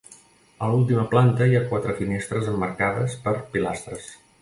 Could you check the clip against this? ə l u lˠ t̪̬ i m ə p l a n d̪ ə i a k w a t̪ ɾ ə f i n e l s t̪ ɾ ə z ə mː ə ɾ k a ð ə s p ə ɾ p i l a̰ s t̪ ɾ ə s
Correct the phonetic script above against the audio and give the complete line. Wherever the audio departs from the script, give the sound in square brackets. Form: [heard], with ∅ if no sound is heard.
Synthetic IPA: ə l u lˠ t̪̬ i m ə p l a n [t̪] ə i a k w a t̪ ɾ ə f i n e [∅] s t̪ ɾ ə z ə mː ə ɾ k a ð ə s p ə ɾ p i l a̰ s t̪ ɾ ə s